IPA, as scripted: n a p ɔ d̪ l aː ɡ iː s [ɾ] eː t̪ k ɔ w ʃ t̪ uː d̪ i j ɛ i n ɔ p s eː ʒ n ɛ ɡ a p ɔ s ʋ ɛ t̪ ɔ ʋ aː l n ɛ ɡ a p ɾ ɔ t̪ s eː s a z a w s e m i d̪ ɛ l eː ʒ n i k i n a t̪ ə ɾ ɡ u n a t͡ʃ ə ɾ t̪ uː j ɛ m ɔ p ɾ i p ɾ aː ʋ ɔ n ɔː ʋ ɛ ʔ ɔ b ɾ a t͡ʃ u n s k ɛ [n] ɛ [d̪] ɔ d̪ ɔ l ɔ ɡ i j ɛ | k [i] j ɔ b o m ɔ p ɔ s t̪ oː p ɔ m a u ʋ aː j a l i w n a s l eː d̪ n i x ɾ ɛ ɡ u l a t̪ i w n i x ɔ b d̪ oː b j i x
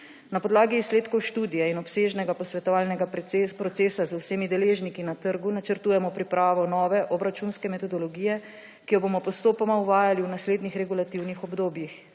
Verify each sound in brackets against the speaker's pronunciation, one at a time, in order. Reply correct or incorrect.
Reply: incorrect: l, incorrect: m, incorrect: t̪, correct

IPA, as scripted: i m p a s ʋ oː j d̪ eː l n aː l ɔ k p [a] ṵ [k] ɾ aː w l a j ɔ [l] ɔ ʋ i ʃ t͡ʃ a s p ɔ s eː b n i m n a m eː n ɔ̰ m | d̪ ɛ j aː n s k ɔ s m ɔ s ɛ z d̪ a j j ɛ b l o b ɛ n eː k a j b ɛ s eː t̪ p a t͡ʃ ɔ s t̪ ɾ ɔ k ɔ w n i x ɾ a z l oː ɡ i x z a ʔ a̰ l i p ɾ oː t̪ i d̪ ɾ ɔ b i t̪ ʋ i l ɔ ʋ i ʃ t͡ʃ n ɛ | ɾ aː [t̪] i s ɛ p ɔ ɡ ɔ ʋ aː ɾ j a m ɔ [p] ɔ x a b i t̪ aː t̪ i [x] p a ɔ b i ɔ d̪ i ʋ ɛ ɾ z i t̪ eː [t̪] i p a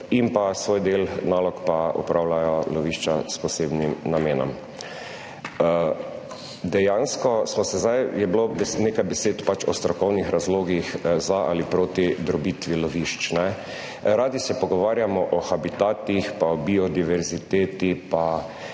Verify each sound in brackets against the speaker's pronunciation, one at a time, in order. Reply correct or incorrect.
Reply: correct, incorrect: p, correct, incorrect: d̪, incorrect: ʔ, correct, correct

